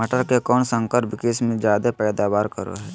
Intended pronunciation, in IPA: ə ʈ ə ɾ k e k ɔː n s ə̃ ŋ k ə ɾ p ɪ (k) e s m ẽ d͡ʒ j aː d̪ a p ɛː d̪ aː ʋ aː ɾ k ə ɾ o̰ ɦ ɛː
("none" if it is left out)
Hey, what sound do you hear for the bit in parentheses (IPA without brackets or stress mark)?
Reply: k